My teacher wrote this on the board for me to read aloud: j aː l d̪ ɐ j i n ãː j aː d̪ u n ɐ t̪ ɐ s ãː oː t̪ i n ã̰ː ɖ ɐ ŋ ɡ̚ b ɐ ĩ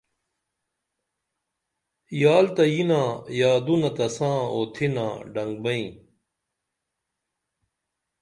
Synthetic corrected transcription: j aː l t̪ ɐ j i n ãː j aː d̪ u n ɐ t̪ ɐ s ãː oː t̪ʰ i n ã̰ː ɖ ɐ ŋ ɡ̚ b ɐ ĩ